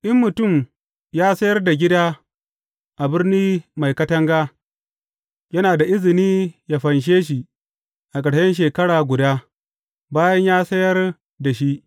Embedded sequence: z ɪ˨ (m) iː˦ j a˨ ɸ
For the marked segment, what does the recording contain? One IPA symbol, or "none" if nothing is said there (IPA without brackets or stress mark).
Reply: n